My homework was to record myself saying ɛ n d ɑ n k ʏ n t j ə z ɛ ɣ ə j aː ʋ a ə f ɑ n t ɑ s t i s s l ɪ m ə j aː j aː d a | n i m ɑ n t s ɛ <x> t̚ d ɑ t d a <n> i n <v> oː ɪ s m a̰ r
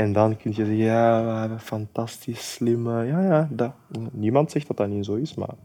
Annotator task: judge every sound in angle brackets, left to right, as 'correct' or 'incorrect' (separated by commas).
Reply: correct, correct, incorrect